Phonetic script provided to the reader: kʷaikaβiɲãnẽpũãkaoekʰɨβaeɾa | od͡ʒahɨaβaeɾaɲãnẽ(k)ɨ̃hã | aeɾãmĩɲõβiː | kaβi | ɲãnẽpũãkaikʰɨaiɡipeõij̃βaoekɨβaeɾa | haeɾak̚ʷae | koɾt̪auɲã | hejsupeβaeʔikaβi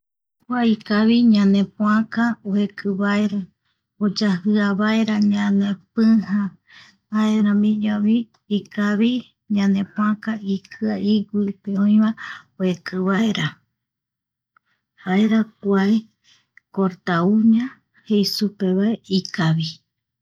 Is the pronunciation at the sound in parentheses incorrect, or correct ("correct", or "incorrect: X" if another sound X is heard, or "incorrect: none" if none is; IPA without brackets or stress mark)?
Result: incorrect: p